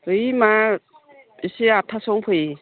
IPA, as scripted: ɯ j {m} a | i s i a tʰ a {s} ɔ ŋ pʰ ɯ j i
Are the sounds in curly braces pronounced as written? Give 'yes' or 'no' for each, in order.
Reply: yes, yes

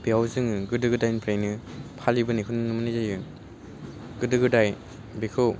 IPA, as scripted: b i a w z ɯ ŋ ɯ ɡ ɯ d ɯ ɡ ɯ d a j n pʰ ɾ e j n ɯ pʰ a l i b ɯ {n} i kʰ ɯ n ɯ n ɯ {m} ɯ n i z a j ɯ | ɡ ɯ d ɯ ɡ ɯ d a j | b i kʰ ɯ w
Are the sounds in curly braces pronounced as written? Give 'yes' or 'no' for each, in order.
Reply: yes, yes

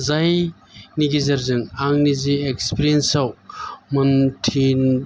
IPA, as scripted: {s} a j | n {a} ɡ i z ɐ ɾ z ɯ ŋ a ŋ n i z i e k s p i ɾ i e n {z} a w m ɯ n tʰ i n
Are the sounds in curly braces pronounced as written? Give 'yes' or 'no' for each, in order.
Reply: no, no, no

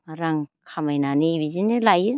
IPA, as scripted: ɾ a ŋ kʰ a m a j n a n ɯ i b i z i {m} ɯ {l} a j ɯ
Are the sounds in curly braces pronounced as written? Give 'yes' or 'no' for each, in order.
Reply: no, yes

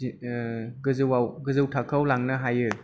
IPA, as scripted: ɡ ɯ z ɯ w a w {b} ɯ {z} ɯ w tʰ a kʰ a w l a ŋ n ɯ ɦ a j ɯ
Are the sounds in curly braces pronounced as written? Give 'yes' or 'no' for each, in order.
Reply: no, yes

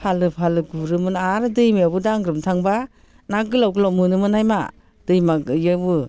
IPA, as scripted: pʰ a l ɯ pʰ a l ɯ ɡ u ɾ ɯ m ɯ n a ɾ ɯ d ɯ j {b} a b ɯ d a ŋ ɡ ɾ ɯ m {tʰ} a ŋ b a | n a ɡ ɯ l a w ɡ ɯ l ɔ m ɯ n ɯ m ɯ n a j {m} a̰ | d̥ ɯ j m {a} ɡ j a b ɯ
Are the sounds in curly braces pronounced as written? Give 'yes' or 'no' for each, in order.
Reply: no, yes, yes, yes

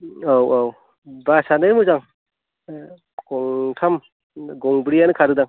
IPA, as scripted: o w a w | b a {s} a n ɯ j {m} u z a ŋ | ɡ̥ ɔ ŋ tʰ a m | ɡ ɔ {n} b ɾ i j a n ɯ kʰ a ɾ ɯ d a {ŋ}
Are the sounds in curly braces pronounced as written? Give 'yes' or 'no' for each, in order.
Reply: yes, yes, no, yes

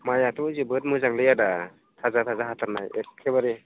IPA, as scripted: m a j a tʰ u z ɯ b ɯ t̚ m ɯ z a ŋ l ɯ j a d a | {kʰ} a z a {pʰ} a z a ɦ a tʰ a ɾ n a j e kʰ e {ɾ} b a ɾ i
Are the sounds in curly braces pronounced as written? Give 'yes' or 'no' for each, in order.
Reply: no, no, no

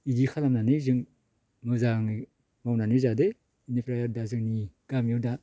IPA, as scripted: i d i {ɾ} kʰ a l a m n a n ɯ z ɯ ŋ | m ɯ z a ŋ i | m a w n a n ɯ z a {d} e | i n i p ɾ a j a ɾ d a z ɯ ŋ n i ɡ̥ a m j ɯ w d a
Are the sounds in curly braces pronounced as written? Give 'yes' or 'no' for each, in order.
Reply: no, yes

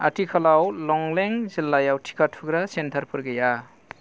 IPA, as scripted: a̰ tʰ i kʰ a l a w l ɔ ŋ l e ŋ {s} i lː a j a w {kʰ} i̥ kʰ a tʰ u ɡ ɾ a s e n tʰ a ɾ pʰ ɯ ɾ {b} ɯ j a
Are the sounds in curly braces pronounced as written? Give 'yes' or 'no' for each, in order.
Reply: no, no, no

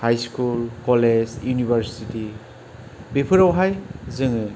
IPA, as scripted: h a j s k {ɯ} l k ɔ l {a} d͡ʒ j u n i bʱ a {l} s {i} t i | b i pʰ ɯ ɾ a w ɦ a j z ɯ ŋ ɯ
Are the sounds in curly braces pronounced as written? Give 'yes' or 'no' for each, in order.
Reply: no, no, no, yes

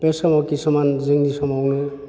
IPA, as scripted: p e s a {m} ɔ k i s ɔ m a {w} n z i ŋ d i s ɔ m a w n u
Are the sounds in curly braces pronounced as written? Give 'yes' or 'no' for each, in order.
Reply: yes, no

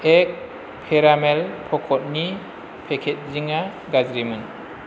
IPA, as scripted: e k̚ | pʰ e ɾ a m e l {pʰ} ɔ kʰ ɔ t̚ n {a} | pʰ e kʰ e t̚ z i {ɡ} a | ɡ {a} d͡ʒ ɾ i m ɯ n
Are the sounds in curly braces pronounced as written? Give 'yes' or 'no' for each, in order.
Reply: yes, no, no, yes

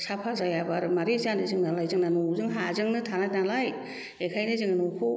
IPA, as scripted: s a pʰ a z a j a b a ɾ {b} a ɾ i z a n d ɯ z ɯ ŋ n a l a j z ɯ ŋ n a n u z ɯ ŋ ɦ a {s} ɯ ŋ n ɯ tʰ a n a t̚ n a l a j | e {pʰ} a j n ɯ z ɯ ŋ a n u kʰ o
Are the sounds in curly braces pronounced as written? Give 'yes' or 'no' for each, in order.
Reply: no, no, no

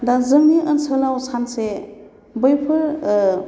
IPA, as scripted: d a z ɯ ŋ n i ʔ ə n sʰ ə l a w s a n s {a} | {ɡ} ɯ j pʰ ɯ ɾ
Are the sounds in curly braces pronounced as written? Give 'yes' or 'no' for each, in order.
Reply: no, no

